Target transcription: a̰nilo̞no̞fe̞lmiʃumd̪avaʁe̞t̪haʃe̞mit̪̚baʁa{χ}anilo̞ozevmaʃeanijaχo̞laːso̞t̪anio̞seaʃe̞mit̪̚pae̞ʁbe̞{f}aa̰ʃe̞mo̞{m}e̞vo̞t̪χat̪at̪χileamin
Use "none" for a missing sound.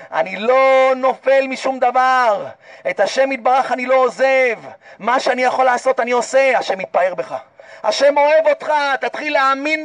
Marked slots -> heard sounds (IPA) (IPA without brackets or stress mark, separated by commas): χ, χ, none